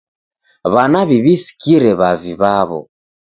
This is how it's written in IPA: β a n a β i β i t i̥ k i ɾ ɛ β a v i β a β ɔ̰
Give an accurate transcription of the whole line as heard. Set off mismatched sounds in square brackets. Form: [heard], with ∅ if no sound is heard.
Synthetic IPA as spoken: β a n a β i β i [s] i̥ k i ɾ ɛ β a v i β a β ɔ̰